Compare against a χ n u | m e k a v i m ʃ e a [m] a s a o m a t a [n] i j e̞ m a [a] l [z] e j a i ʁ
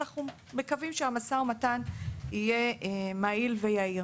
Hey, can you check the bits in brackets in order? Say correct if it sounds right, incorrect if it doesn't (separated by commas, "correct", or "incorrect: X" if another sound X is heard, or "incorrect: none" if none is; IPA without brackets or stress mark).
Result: correct, correct, incorrect: i, incorrect: v